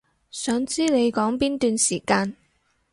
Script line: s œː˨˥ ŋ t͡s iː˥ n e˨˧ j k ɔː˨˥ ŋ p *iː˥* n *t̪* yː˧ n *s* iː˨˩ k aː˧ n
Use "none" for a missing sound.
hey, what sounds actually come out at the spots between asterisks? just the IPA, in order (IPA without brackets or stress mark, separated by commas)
iː˥, t̪, s